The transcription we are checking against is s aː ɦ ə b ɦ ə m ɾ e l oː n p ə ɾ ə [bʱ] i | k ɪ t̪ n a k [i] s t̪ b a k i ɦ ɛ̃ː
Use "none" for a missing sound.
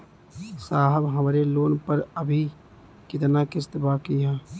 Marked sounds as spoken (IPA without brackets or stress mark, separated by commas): bʱ, ɪ